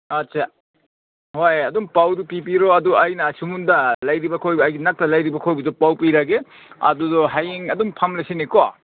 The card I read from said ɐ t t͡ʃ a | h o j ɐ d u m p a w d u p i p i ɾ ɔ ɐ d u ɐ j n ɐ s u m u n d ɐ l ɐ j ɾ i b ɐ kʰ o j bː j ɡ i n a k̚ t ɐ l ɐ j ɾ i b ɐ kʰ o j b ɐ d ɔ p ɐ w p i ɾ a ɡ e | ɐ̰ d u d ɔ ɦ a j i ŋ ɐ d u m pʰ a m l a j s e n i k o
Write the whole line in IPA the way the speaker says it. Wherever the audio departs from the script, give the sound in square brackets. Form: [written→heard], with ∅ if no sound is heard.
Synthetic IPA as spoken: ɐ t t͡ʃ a | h o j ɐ d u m p a w d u p i p i ɾ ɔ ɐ d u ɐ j n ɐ s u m u n d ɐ l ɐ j ɾ i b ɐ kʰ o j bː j ɡ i n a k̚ t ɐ l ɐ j ɾ i b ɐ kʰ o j b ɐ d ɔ p [ɐ→a] w p i ɾ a ɡ e | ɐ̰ d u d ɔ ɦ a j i ŋ ɐ d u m pʰ a m l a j s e n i k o